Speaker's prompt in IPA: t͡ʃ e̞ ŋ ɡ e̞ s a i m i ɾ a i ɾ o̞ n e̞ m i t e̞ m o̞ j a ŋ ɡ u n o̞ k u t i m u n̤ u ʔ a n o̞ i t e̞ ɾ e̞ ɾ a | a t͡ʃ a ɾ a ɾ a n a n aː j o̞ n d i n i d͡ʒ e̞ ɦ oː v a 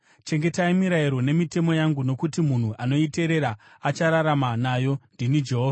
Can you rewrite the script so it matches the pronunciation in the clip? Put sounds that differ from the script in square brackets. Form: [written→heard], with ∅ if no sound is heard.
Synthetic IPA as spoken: t͡ʃ e̞ ŋ ɡ e̞ [s→t] a i m i ɾ a i ɾ o̞ n e̞ m i t e̞ m o̞ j a ŋ ɡ u n o̞ k u t i m u n̤ u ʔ a n o̞ i t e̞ ɾ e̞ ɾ a | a t͡ʃ a ɾ a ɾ a [n→m] a n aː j o̞ n d i n i d͡ʒ e̞ ɦ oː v a